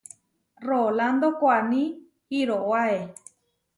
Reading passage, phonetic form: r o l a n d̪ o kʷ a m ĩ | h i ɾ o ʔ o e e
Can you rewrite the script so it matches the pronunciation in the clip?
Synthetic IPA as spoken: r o l a n d̪ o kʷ a n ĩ | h i ɾ o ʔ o a e